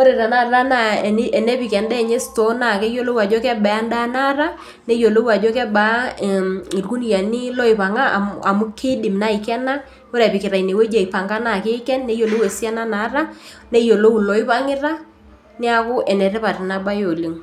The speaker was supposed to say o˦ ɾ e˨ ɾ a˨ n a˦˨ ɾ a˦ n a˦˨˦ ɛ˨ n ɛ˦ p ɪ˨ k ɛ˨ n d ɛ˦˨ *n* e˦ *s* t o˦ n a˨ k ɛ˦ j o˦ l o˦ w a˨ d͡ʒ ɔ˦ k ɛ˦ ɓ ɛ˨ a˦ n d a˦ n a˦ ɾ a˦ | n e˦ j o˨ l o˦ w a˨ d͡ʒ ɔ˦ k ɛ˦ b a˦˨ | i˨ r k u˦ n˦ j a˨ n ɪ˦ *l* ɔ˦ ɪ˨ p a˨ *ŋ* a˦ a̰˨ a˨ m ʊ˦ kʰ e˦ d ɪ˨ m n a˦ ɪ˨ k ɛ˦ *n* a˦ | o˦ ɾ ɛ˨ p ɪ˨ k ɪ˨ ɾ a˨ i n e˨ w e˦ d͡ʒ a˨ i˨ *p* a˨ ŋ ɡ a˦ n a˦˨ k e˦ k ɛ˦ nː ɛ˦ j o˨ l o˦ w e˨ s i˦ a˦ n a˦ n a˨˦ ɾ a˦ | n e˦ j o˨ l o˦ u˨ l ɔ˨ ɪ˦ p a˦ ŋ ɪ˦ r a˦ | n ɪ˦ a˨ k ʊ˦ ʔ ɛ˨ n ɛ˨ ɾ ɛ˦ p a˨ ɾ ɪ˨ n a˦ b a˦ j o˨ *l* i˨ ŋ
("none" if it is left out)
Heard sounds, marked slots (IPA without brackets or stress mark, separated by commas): ɲ, s, l, ŋ, n, p, l